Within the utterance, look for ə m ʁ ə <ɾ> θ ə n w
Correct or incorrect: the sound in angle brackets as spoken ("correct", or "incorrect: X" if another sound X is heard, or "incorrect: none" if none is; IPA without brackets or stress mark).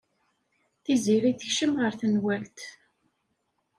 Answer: correct